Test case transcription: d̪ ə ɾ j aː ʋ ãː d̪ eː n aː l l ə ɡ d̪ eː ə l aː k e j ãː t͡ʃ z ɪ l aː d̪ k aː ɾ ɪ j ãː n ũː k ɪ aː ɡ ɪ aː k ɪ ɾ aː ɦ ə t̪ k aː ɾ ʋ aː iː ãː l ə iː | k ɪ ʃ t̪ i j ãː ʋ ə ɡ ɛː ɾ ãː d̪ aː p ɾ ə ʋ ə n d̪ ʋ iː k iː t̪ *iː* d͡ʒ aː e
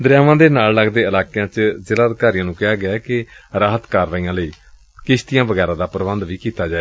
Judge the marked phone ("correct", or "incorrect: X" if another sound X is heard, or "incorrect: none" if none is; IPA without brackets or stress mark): incorrect: aː